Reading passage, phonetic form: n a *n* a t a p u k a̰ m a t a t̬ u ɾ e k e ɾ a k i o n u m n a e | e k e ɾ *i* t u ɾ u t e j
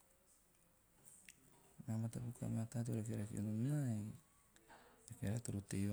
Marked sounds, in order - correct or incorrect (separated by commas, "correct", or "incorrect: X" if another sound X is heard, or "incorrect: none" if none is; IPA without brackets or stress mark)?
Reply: incorrect: m, incorrect: a